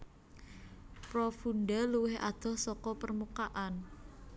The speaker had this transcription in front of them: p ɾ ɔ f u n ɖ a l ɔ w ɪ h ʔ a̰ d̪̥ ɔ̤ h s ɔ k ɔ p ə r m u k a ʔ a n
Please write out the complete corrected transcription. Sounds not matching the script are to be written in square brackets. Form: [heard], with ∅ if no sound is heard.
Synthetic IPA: p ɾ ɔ f u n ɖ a l [u] w ɪ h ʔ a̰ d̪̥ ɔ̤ h s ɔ k ɔ p ə r m u k a ʔ a n

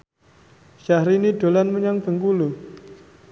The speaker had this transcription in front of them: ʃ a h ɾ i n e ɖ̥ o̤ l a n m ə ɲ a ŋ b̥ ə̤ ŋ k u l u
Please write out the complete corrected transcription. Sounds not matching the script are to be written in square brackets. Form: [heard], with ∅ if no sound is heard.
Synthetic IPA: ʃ a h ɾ i n [i] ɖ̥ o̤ l a n m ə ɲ a ŋ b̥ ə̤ ŋ k u l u

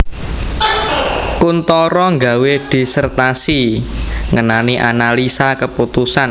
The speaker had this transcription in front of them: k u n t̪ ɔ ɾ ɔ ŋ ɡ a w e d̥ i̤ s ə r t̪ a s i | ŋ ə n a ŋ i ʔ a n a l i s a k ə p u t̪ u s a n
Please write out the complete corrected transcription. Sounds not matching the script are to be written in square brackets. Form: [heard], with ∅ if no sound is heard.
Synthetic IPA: k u n t̪ ɔ ɾ ɔ ŋ ɡ a w e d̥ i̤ s ə r t̪ a s i | ŋ ə n a [n] i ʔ a n a l i s a k ə p u t̪ u s a n

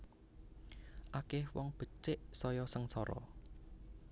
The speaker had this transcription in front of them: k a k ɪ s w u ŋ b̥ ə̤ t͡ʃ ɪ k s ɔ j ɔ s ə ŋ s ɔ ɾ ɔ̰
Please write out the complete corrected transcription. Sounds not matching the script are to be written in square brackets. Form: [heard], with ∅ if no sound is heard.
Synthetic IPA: [ʔ] a k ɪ [h] w [ɔ] ŋ b̥ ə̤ t͡ʃ ɪ [ʔ] s ɔ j ɔ s ə ŋ s ɔ ɾ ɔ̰

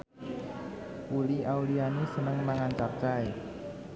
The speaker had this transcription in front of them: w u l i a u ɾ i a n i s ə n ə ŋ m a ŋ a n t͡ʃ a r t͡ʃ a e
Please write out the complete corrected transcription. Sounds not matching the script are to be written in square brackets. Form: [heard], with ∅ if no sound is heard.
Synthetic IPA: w u l i a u [l] i a n i s ə n ə ŋ m a ŋ a n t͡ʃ a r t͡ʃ a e

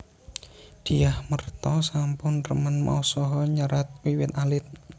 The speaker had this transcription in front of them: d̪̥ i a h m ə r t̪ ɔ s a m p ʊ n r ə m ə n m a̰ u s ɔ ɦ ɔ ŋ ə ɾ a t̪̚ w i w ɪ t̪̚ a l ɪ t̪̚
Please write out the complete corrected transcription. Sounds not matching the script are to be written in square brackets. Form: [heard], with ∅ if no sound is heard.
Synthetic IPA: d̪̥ i a h m ə r t̪ ɔ s a m p ʊ n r ə m ə n m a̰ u s ɔ ɦ ɔ [ɲ] ə ɾ a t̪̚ w i w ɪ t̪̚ a l ɪ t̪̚

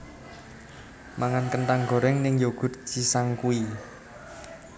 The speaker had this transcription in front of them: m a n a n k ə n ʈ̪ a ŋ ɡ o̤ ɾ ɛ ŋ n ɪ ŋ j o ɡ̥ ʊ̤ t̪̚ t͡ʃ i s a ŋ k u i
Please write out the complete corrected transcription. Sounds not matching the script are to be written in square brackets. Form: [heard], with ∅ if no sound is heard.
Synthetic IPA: m a [ŋ] a n k ə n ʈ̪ a ŋ ɡ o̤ ɾ ɛ ŋ n ɪ ŋ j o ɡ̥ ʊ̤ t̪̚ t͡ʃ i s a ŋ k u i

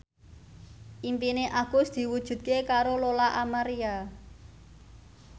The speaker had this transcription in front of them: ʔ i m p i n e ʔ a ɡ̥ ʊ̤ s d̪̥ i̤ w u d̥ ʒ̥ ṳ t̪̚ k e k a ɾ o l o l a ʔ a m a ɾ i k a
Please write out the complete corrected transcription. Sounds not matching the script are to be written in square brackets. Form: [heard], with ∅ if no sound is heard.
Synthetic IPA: ʔ i m p i n e ʔ a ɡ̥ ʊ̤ s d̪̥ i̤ w u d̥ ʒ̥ ṳ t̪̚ k e k a ɾ o l o l a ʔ a m a ɾ i [∅] a

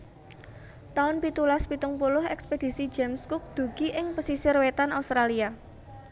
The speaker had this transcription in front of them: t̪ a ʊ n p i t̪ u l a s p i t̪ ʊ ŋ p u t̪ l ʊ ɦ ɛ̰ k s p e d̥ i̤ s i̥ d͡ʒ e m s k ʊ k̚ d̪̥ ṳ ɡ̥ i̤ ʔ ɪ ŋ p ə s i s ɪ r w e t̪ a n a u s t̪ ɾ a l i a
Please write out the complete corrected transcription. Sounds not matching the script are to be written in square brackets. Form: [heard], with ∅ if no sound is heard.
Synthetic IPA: t̪ a ʊ n p i t̪ u l a s p i t̪ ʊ ŋ p u [∅] l ʊ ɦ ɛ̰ k s p e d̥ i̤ s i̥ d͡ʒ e m s k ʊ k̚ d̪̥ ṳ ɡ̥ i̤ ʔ ɪ ŋ p ə s i s ɪ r w e t̪ a n a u s t̪ ɾ a l i a

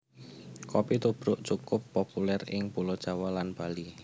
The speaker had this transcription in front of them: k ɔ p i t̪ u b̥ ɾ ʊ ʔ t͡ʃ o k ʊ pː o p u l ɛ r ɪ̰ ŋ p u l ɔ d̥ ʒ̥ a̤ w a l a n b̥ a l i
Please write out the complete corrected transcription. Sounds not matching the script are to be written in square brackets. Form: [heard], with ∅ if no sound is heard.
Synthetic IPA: k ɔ p i t̪ u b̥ ɾ ʊ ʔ t͡ʃ [u] k ʊ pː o p u l ɛ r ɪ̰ ŋ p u l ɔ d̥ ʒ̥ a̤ w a l a n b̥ a l i

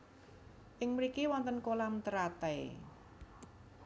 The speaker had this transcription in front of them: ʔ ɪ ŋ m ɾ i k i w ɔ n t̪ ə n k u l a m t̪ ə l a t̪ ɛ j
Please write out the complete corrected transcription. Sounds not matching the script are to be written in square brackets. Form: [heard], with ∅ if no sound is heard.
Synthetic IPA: ʔ ɪ ŋ m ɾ i k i w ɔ n t̪ ə n k [o] l a m t̪ ə [ɾ] a t̪ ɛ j

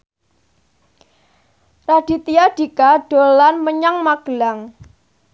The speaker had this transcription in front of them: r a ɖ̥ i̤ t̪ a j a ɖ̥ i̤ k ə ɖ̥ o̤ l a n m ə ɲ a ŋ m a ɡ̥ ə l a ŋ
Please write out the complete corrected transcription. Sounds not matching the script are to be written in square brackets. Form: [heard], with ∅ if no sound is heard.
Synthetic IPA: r a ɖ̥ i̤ t̪ [i] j a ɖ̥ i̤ k [a] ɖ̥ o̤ l a n m ə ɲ a ŋ m a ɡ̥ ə l a ŋ

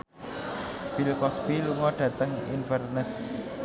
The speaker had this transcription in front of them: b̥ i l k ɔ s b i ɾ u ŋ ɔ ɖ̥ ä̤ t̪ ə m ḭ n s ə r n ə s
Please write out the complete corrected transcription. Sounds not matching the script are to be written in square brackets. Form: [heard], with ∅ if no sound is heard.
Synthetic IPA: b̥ i l k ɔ s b i [l] u ŋ ɔ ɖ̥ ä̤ t̪ ə [ŋ] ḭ n [f] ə r n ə s

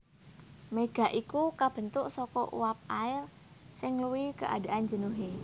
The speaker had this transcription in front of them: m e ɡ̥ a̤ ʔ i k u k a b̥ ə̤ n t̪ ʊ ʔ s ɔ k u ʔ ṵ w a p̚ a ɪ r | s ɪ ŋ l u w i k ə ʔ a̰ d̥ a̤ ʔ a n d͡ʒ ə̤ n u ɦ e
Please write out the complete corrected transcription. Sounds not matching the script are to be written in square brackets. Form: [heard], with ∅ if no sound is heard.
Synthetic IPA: m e ɡ̥ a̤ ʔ i k u k a b̥ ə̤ n t̪ ʊ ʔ s ɔ k [ɔ] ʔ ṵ w a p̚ a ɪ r | s ɪ ŋ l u w i k ə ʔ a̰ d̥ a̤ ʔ a n d͡ʒ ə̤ n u ɦ e

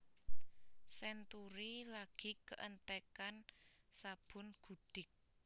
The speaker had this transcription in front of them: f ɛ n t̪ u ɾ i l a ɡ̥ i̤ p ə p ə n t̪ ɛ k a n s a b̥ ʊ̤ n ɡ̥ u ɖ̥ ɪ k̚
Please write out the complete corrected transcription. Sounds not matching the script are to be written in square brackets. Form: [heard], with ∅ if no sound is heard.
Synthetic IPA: [s] ɛ n t̪ u ɾ i l a ɡ̥ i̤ [k] ə [ʔ] ə n t̪ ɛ k a n s a b̥ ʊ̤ n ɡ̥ u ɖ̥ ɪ k̚

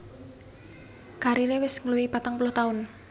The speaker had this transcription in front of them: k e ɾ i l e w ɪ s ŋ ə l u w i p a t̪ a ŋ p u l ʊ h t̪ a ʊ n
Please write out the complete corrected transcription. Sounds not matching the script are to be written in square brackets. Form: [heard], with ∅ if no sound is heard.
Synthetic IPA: k [a] ɾ i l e w ɪ s ŋ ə l u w i p a t̪ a ŋ p u l ʊ h t̪ a ʊ n

